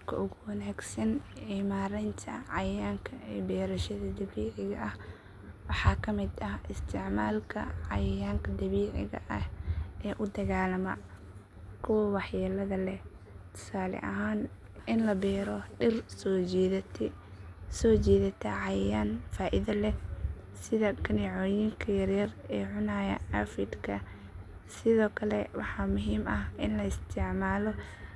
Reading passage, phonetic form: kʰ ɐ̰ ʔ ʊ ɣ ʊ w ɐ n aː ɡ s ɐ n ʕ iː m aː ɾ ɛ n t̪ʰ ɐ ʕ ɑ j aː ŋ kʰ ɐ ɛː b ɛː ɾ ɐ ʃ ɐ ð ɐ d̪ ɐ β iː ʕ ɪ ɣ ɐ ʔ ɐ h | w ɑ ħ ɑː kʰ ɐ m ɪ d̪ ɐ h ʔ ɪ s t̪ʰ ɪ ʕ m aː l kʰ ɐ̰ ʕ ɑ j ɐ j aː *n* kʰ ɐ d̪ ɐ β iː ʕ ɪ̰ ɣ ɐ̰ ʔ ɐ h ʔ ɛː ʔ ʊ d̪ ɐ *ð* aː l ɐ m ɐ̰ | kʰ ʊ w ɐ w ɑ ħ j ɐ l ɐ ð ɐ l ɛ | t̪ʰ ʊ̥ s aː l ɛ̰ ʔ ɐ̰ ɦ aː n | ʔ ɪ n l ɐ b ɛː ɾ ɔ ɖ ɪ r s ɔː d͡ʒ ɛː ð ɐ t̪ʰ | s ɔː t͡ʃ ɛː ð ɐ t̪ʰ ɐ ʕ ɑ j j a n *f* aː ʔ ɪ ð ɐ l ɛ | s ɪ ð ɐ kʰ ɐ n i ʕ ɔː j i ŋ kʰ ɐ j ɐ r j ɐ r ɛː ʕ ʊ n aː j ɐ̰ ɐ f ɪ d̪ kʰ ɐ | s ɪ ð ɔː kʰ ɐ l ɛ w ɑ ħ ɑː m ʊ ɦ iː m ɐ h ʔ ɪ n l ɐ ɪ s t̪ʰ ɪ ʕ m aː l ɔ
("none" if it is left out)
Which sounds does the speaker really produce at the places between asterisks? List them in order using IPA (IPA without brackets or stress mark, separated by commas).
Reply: ŋ, ɣ, f